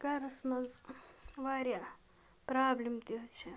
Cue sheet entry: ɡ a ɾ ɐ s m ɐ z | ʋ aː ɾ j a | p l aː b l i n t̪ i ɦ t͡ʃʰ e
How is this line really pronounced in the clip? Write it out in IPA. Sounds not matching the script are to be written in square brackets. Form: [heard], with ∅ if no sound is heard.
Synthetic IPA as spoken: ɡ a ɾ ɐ s m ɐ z | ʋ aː ɾ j a | p [ɾ] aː b l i [m] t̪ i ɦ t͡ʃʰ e